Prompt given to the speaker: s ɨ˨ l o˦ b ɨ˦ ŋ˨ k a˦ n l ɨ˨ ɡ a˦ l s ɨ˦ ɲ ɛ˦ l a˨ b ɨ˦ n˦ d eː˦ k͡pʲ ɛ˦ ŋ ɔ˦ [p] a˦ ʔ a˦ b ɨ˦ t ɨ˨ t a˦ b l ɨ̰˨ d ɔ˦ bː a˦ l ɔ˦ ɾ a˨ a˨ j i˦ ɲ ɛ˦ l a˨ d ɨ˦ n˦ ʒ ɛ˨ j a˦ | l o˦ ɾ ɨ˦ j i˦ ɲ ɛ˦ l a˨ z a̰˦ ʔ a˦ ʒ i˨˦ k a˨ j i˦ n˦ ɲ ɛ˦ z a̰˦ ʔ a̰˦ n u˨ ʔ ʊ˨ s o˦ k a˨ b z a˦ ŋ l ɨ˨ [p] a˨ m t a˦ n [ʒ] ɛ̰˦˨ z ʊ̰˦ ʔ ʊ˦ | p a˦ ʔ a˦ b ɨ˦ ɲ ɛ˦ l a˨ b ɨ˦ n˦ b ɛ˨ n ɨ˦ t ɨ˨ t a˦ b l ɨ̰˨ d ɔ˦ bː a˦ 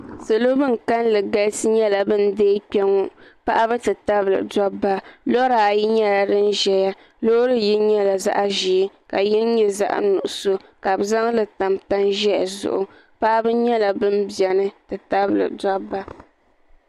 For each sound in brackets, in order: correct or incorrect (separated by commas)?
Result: correct, incorrect, correct